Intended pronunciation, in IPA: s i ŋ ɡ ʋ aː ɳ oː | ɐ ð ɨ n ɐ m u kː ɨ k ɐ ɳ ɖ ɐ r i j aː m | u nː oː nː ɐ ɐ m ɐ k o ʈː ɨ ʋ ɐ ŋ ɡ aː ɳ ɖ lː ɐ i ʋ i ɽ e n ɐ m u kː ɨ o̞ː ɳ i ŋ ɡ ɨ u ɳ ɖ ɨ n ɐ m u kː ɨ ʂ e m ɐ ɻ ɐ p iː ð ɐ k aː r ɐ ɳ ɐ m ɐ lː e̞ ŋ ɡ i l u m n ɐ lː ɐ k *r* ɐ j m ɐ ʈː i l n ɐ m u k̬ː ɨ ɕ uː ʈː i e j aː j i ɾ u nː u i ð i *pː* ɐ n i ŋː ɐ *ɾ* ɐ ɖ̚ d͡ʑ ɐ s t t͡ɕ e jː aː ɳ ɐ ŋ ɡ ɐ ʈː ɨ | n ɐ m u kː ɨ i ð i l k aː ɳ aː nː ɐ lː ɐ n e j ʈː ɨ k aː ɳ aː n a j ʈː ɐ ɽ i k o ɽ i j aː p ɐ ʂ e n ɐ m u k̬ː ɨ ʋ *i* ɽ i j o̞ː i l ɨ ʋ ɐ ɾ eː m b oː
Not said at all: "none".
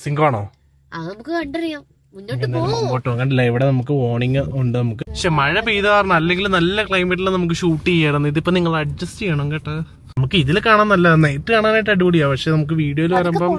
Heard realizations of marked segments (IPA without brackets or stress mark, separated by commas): ɭ, pː, ɭ, iː